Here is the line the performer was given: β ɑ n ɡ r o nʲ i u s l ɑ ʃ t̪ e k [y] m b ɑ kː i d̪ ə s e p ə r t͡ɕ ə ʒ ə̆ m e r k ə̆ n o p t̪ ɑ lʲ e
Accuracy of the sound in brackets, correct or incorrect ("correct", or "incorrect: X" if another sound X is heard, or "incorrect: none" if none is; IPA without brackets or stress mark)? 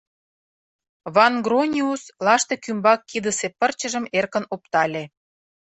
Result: correct